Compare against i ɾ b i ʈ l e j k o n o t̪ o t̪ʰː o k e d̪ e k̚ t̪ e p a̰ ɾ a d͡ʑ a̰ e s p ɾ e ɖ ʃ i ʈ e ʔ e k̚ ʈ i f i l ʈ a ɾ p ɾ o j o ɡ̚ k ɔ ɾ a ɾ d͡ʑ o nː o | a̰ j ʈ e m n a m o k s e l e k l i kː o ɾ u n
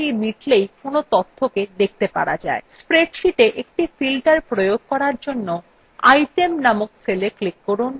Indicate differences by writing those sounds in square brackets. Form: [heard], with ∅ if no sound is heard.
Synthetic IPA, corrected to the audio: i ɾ [m] i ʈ l e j k o n o t̪ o t̪ʰː o k e d̪ e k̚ t̪ e p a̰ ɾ a d͡ʑ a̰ e s p ɾ e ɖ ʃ i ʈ e ʔ e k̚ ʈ i f i l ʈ a ɾ p ɾ o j o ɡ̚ k ɔ ɾ a ɾ d͡ʑ o nː o | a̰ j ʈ e m n a m o k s e l e k l i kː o ɾ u n